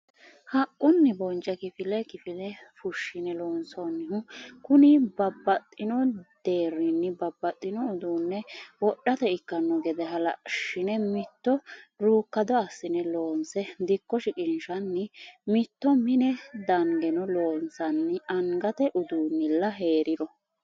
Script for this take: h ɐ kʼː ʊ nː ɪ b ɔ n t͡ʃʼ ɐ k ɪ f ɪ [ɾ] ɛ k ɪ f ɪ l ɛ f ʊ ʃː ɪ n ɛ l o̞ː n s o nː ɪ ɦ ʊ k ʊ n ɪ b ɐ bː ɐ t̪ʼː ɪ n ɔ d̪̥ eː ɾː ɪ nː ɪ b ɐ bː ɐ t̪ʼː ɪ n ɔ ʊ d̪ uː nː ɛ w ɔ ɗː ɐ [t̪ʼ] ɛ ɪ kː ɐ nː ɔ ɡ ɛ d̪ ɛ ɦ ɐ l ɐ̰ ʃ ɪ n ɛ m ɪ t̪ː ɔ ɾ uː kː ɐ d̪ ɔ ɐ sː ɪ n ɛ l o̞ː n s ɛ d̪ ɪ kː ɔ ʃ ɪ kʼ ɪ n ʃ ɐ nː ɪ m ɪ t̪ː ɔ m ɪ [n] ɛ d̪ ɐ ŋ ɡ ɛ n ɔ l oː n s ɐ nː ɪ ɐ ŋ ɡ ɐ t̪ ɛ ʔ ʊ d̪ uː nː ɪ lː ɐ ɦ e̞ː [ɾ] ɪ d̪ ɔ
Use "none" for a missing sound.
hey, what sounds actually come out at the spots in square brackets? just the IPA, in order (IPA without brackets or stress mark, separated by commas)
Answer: l, t̪, n, ɾ